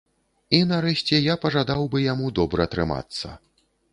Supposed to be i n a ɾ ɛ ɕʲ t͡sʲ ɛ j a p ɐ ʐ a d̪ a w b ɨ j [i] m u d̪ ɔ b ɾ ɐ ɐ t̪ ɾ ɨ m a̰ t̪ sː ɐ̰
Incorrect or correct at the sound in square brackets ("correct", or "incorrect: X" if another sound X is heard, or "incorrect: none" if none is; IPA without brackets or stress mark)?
incorrect: a